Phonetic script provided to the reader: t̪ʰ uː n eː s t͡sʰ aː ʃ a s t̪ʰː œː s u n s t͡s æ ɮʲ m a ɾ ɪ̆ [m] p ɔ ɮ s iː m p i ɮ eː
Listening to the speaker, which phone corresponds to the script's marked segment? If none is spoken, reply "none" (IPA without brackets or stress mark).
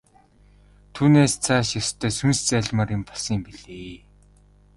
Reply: m